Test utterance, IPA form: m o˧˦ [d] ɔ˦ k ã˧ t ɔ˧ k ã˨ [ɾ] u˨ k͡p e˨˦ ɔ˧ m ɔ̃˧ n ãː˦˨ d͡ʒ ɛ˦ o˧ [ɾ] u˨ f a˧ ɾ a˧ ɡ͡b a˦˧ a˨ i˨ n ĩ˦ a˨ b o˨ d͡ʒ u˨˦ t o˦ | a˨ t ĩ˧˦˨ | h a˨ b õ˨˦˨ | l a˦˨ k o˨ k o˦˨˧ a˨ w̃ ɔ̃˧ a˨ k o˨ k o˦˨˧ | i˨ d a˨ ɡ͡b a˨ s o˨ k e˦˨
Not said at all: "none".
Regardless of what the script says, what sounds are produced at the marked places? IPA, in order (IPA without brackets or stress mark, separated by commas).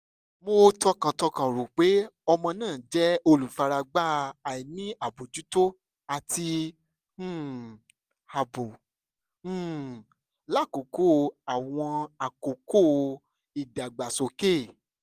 t, ɾ, l